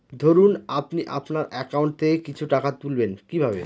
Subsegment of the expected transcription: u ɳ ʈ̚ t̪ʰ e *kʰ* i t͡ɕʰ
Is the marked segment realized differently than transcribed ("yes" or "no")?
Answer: yes